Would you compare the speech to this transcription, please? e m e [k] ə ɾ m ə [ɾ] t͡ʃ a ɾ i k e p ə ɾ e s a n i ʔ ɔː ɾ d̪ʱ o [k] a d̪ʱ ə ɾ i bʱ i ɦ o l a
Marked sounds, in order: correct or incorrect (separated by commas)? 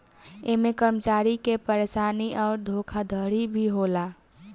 correct, incorrect, incorrect